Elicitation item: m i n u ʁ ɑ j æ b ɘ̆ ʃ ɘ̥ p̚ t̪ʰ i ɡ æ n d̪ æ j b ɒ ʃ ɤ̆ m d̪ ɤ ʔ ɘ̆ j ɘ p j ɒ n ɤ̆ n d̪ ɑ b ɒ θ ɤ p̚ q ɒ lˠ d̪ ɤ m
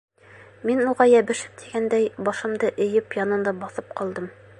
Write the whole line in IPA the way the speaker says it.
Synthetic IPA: m i n u ʁ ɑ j æ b ɘ̆ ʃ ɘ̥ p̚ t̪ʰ i ɡ æ n d̪ æ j b ɒ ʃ ɤ̆ m d̪ ɤ ʔ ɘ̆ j ɘ p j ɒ n ɤ̆ n d̪ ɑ b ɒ θ ɤ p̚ q ɒ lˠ d̪ ɤ m